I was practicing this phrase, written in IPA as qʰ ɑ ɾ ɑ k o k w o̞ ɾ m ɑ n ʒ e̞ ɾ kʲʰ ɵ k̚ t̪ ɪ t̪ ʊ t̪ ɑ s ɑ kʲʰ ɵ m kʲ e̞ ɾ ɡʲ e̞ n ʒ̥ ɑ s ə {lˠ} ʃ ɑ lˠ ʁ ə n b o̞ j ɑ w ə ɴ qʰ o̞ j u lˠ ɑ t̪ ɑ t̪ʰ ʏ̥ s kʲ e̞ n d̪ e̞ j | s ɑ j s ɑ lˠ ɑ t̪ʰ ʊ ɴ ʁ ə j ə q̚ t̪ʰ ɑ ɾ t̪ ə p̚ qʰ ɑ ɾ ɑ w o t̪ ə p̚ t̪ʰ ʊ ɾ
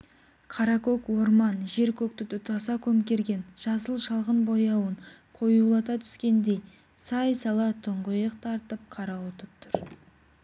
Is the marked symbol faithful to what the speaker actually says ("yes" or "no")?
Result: yes